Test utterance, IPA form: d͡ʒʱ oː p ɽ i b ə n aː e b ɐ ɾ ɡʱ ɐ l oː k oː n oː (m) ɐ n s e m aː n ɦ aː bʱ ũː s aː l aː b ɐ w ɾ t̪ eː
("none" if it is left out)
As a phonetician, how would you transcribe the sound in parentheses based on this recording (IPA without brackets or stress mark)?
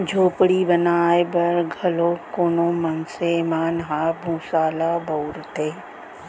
m